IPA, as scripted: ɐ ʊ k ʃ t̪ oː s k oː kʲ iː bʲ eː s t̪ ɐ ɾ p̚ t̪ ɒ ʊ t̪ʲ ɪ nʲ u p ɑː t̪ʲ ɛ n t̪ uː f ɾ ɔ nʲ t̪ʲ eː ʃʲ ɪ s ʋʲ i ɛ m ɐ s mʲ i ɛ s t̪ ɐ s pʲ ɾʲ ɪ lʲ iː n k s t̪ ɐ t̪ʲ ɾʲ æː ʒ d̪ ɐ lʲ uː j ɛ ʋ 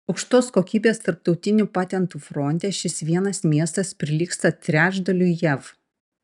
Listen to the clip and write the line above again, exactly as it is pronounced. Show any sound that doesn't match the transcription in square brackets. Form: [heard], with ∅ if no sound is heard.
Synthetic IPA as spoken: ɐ ʊ k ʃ t̪ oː s k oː kʲ iː bʲ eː s t̪ ɐ ɾ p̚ t̪ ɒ ʊ t̪ʲ ɪ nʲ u p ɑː t̪ʲ ɛ n t̪ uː f ɾ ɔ nʲ t̪ʲ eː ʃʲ ɪ s ʋʲ i ɛ [n] ɐ s mʲ i ɛ s t̪ ɐ s pʲ ɾʲ ɪ lʲ iː [∅] k s t̪ ɐ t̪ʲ ɾʲ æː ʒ d̪ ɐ lʲ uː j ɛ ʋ

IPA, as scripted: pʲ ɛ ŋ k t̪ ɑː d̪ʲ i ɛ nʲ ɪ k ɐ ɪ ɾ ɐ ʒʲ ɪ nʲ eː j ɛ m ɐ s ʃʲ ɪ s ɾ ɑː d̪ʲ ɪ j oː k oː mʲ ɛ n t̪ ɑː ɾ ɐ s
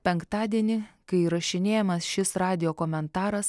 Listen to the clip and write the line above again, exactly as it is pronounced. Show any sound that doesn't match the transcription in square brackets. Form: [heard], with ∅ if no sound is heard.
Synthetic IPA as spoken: pʲ ɛ ŋ k t̪ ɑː d̪ʲ i ɛ nʲ ɪ k ɐ ɪ ɾ ɐ [ʃʲ] ɪ nʲ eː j ɛ m ɐ s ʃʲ ɪ s ɾ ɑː d̪ʲ ɪ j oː k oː mʲ ɛ n t̪ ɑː ɾ ɐ s

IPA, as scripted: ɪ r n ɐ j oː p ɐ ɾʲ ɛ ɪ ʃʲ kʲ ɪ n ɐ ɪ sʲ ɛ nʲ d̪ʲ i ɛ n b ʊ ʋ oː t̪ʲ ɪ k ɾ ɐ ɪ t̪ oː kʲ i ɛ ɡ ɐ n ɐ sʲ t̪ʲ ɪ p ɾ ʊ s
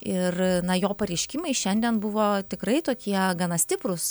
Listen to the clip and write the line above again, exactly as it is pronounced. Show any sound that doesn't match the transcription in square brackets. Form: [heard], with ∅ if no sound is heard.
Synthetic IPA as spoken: ɪ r n ɐ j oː p ɐ ɾʲ ɛ ɪ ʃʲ kʲ ɪ [m] ɐ ɪ [ʃʲ] ɛ nʲ d̪ʲ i ɛ n b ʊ ʋ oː t̪ʲ ɪ k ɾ ɐ ɪ t̪ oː kʲ i ɛ ɡ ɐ n ɐ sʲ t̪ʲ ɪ p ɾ ʊ s

